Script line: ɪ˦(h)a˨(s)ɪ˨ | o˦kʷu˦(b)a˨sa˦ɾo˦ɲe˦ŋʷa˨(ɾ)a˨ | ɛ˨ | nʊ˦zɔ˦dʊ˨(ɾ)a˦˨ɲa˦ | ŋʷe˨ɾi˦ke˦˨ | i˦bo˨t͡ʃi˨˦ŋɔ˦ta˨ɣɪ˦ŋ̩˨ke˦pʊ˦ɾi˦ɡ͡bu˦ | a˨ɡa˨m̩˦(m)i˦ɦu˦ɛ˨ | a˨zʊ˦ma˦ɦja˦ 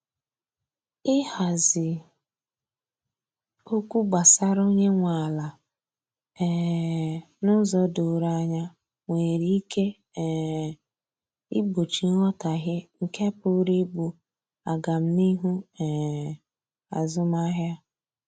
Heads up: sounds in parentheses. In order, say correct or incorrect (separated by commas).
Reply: correct, incorrect, incorrect, incorrect, correct, incorrect